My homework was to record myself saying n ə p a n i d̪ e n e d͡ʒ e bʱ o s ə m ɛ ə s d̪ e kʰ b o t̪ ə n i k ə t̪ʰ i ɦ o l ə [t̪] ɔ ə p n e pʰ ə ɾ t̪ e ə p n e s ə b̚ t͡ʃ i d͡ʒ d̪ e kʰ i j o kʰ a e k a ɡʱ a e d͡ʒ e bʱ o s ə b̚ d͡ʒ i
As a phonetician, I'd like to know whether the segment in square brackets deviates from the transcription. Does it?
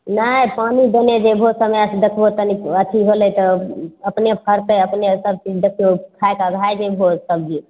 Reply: no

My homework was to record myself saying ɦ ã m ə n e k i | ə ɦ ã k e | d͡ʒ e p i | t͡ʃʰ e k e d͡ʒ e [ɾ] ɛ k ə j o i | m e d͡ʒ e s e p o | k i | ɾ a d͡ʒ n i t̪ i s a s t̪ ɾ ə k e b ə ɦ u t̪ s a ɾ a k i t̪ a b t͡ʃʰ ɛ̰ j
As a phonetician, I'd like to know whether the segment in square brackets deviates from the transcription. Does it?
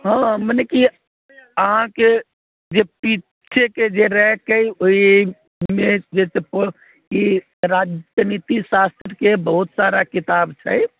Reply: no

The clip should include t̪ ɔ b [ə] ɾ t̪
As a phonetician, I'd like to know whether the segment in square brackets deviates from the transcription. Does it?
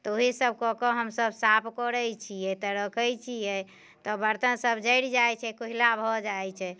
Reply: no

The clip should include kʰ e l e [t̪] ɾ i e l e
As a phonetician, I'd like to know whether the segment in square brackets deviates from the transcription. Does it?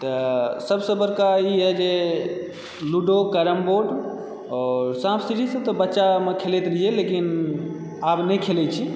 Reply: no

